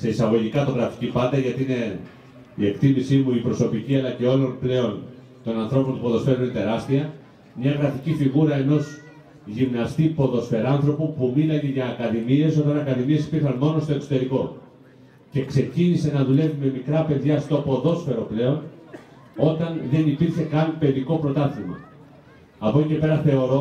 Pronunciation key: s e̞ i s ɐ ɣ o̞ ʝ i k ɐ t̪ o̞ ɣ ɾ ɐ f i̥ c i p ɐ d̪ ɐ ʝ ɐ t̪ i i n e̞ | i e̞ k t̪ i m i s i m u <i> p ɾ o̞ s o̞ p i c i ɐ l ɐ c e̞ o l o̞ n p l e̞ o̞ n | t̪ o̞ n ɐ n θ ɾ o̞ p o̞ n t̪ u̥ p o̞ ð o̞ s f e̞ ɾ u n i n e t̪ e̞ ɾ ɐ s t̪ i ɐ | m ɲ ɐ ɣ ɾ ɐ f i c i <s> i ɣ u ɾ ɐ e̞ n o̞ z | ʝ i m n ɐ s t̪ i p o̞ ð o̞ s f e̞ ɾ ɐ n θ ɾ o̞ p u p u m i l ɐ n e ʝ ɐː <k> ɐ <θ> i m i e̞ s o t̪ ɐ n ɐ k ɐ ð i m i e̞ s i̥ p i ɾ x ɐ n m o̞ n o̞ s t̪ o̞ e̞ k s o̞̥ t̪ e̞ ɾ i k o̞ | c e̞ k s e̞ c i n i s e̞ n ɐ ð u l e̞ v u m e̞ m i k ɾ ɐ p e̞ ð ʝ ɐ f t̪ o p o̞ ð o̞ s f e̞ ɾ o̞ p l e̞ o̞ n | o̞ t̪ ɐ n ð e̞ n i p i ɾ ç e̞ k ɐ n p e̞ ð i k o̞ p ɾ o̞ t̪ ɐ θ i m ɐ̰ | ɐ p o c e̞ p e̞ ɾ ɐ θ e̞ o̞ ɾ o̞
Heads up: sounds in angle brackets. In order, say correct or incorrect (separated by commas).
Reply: correct, incorrect, correct, incorrect